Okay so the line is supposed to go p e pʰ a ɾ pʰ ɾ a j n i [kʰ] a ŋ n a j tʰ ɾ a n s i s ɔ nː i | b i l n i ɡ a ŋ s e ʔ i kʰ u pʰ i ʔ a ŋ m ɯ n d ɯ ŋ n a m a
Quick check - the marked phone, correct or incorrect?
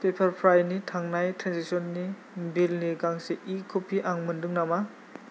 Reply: incorrect